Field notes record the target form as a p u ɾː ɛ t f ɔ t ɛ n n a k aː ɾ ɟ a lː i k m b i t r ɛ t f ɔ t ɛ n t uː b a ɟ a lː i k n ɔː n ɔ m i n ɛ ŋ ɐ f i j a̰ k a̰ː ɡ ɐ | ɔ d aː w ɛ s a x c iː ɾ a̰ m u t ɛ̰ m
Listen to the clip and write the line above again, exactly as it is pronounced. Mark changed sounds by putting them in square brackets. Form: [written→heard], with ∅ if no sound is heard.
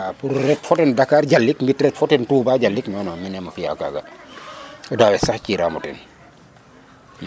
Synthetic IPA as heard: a p u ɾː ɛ t f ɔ t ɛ n [n→d] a k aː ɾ ɟ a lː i k m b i t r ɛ t f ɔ t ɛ n t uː b a ɟ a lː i k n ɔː n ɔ m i n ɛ [ŋ→m] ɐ f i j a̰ k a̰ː ɡ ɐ | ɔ d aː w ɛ s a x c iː ɾ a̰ m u t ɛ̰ [m→n]